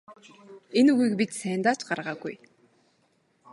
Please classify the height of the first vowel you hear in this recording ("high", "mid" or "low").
mid